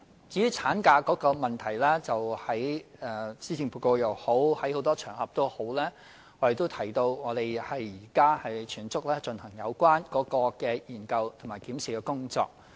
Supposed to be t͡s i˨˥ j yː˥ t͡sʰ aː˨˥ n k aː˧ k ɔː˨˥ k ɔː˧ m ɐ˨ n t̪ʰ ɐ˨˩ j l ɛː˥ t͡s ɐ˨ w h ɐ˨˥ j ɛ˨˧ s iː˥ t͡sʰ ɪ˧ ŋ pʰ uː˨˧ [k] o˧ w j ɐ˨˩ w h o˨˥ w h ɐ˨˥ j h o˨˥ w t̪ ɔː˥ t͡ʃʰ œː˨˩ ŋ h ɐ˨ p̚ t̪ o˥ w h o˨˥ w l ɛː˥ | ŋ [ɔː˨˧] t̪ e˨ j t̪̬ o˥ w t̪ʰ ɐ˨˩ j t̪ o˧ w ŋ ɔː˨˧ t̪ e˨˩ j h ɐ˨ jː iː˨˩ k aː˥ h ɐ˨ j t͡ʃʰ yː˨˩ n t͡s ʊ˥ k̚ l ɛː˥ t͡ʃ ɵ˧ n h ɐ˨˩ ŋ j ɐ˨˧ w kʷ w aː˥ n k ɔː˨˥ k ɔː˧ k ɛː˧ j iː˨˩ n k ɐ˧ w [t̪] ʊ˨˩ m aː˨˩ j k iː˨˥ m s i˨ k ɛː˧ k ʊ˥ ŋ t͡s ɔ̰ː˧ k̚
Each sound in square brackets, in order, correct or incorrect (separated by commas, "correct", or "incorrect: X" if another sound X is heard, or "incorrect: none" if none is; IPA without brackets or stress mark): correct, incorrect: ɔ˨˧, incorrect: t̪ʰ